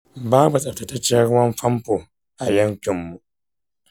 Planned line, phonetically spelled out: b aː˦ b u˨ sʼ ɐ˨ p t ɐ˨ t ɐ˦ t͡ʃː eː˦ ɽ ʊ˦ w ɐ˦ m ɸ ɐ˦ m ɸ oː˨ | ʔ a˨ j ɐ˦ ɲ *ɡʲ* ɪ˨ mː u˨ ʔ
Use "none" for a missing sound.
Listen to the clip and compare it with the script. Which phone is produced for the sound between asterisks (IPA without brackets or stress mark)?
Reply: kʲ